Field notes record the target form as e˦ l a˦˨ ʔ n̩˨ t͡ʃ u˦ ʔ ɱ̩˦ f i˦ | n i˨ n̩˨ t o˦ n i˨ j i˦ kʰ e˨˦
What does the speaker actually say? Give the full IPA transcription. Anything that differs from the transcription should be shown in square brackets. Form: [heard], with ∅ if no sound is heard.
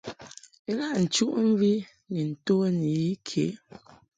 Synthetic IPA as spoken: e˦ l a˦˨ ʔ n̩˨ t͡ʃ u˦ ʔ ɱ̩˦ [v] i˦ | n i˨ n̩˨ t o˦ n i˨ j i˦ kʰ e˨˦